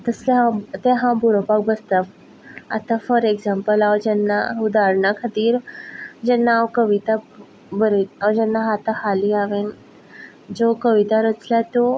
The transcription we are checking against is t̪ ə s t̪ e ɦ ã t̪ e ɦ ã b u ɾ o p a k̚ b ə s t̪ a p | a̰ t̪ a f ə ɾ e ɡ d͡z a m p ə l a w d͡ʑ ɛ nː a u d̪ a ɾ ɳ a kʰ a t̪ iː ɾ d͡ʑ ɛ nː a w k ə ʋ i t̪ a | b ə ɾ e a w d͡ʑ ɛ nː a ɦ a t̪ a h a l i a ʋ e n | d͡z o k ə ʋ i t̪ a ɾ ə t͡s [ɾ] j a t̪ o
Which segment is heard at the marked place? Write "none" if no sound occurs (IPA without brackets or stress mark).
l